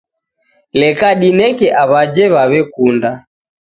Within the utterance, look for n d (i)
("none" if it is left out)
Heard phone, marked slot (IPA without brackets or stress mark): a